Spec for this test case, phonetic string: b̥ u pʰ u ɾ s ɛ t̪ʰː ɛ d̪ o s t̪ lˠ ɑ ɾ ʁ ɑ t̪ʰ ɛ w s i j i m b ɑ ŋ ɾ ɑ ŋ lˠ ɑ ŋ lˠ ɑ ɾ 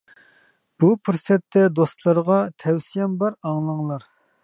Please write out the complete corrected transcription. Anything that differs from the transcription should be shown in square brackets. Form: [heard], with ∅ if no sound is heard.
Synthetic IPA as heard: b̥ u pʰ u ɾ s ɛ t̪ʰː ɛ d̪ o s t̪ lˠ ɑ ɾ ʁ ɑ t̪ʰ ɛ w s i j [ɛ] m b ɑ [∅] ɾ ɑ ŋ lˠ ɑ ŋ lˠ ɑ ɾ